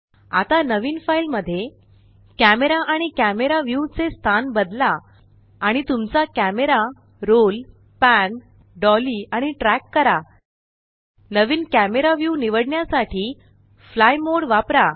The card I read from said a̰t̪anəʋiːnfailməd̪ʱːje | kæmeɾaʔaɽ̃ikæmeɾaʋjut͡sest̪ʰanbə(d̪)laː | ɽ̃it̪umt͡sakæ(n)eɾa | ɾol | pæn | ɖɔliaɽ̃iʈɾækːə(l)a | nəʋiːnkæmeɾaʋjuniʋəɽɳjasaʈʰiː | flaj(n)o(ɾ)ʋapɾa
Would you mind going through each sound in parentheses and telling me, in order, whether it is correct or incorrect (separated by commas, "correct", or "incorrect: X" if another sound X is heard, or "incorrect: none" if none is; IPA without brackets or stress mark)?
correct, incorrect: m, incorrect: ɾ, incorrect: m, incorrect: ɽ